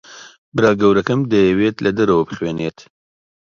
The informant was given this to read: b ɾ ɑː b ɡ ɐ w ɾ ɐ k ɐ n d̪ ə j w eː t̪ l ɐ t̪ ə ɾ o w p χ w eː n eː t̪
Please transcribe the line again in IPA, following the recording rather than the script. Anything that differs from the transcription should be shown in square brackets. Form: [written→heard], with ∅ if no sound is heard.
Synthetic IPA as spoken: b ɾ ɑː [b→∅] ɡ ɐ w ɾ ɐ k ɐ [n→m] d̪ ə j w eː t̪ l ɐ [t̪→d̪] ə ɾ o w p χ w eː n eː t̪